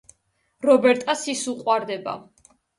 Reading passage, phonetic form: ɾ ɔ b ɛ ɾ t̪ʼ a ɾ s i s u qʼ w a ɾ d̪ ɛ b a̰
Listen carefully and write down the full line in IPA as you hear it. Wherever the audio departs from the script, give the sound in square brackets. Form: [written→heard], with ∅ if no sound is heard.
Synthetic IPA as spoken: ɾ ɔ b ɛ ɾ t̪ʼ a [ɾ→∅] s i s u qʼ w a ɾ d̪ ɛ b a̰